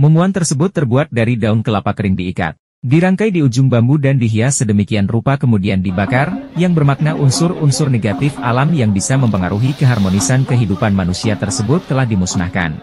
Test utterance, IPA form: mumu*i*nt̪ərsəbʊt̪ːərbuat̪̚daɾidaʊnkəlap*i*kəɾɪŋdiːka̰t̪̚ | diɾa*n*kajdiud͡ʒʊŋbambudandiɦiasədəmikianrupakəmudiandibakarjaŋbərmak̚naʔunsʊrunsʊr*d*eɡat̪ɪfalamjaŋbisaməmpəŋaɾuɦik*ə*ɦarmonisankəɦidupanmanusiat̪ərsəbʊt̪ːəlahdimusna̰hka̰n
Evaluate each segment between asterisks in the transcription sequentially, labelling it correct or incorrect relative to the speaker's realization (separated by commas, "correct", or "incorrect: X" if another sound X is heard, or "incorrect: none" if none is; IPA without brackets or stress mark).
incorrect: a, incorrect: a, incorrect: ŋ, incorrect: n, correct